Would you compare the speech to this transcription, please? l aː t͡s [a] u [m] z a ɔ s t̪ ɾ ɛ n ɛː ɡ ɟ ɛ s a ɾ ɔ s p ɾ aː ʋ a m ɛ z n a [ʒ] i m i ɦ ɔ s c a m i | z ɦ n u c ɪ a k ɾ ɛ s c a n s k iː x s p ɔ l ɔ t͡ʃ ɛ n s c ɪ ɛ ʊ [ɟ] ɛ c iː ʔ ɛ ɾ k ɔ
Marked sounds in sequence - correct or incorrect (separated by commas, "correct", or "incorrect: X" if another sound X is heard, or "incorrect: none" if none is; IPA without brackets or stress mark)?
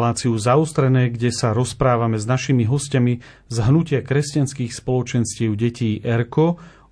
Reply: incorrect: i, incorrect: none, incorrect: ʃ, correct